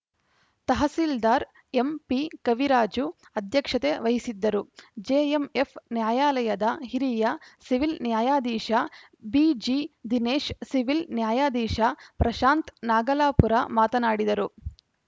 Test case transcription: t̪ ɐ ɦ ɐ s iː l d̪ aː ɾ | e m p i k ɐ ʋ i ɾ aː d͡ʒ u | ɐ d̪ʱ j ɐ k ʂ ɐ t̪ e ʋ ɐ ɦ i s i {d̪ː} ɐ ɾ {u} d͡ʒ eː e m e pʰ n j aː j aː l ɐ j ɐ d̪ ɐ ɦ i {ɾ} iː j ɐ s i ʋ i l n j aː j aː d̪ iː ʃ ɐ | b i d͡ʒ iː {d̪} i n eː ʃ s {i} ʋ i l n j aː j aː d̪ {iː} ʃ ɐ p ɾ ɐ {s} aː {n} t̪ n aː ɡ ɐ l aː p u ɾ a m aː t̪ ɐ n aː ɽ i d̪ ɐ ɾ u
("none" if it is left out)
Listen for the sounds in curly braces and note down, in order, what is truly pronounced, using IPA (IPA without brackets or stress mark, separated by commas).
d̪ː, u, ɾ, d̪, i, iː, ʃ, n